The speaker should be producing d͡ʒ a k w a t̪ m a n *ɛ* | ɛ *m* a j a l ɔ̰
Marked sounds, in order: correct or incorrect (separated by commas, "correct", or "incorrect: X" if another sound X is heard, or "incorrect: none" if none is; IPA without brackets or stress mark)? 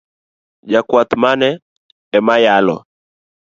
correct, correct